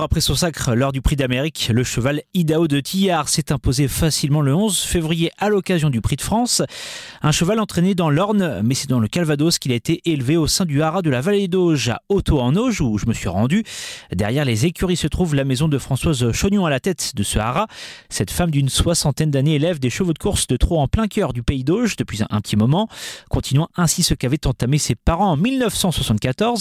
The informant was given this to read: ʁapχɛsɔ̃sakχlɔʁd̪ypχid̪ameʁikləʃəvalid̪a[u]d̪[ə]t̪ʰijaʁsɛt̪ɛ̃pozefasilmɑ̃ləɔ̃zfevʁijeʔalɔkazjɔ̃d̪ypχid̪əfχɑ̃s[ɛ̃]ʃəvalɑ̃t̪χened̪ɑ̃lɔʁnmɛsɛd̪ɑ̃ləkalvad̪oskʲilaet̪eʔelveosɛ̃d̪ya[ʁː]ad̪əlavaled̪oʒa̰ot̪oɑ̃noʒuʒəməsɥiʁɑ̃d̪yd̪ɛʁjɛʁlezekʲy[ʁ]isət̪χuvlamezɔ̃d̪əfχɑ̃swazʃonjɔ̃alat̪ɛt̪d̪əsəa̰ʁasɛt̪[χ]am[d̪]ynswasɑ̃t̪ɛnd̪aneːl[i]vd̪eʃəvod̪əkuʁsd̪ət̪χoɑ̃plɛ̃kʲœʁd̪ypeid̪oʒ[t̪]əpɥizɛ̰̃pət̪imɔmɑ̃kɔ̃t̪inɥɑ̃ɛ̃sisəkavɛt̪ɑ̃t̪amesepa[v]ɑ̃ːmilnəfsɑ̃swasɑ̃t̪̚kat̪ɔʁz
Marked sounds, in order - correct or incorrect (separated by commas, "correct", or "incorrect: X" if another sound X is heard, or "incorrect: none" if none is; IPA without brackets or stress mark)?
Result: incorrect: o, correct, correct, incorrect: ʁ, correct, incorrect: f, correct, incorrect: ɛ, incorrect: d̪, incorrect: ʁ